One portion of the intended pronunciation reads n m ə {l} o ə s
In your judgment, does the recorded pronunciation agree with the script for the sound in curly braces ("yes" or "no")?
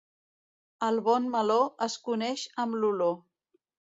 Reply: yes